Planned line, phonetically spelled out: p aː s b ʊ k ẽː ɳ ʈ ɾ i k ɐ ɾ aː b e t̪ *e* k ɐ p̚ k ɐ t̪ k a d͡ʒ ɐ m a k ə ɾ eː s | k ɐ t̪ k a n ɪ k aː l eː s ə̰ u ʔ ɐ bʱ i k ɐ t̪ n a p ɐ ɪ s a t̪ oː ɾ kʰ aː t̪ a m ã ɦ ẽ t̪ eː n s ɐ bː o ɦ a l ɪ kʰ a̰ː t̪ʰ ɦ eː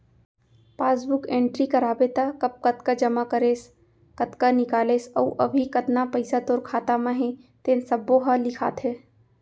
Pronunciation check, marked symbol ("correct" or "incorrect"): incorrect